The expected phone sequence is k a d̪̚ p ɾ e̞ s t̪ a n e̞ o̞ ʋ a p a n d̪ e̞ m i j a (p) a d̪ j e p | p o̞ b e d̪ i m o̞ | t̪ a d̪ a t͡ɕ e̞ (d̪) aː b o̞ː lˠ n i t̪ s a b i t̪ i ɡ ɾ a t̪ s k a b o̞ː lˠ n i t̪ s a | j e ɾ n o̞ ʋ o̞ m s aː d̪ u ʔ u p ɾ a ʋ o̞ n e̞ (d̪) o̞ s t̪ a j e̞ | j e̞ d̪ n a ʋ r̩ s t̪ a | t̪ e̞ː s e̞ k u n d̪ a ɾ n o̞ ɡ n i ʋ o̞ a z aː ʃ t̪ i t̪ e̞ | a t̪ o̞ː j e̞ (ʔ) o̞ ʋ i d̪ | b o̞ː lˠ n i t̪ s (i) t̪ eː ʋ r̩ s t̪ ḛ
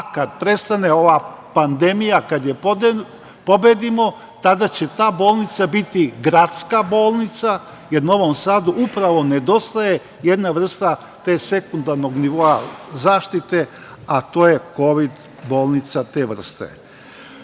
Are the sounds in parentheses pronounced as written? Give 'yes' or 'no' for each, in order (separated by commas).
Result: no, no, yes, no, no